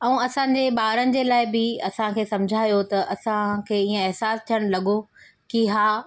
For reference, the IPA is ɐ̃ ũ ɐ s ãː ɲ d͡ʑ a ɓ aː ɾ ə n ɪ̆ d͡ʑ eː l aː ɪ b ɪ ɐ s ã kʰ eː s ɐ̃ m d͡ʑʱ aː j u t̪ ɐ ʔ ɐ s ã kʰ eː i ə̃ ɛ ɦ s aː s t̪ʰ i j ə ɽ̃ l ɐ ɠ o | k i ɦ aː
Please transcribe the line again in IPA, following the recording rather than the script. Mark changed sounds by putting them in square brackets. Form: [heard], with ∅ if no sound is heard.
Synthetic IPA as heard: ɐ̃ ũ ɐ s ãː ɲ d͡ʑ [e] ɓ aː ɾ ə n ɪ̆ d͡ʑ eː l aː ɪ b ɪ ɐ s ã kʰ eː s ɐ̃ m d͡ʑʱ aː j [o] t̪ ɐ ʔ ɐ s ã kʰ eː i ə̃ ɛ ɦ s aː s t̪ʰ i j ə ɽ̃ l ɐ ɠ o | k i ɦ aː